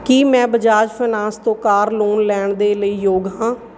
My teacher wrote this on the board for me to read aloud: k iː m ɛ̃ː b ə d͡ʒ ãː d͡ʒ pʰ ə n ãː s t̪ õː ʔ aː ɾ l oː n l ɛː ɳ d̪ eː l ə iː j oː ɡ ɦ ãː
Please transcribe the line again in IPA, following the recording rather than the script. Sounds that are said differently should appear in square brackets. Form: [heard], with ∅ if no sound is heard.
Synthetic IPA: k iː m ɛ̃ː b ə d͡ʒ [aː] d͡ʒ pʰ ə n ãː s t̪ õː [k] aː ɾ l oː n l ɛː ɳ d̪ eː l ə iː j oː ɡ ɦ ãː